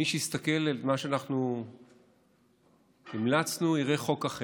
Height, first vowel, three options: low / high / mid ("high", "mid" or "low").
high